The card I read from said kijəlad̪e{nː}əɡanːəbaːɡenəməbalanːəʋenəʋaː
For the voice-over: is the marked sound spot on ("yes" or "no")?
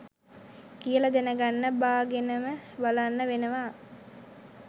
no